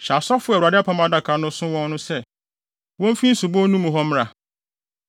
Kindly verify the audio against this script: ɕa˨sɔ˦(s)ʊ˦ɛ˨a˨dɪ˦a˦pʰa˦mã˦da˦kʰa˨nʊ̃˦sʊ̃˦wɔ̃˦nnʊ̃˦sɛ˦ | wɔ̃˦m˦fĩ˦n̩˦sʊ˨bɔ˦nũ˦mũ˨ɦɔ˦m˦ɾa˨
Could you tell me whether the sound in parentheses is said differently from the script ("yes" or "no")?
yes